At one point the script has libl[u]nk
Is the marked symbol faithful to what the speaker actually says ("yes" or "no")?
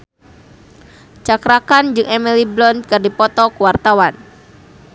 no